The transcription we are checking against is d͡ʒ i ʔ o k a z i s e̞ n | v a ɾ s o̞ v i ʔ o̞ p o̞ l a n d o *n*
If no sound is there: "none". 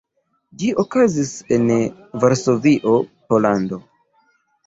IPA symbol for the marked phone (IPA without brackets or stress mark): none